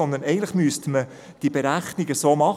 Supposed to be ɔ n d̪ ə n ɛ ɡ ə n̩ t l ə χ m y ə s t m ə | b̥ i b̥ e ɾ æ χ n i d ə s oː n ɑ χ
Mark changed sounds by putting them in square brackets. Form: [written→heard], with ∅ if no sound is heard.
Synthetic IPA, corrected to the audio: ɔ n d̪ ə n ɛ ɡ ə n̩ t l ə χ m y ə s t m ə | [b̥→d̥] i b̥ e ɾ æ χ n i [d→ɡ] ə s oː [n→m] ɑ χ